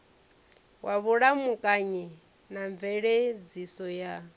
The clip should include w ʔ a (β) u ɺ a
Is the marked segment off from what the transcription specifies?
no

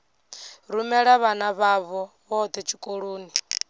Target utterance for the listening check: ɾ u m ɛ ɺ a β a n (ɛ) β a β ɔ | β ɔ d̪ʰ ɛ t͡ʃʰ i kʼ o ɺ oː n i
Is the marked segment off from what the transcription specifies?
yes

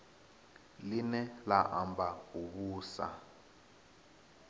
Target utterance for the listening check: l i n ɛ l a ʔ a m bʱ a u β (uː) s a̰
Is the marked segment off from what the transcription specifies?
no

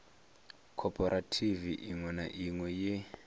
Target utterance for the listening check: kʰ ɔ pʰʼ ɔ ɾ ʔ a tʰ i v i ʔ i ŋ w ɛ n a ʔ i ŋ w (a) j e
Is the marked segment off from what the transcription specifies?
yes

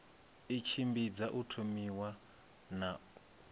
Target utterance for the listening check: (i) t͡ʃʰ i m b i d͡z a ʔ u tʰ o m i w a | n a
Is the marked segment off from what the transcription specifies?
no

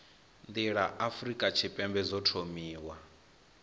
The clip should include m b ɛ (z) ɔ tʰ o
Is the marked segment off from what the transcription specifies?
no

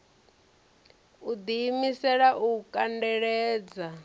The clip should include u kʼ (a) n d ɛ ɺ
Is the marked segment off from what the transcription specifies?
no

